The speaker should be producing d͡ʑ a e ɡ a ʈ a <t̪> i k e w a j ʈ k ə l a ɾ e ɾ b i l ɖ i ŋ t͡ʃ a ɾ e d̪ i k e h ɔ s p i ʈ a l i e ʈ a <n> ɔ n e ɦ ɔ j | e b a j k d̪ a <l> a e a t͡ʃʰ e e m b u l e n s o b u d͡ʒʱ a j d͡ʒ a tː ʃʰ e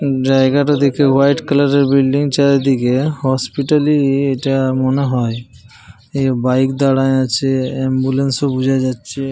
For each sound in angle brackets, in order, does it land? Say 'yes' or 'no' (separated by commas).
no, no, no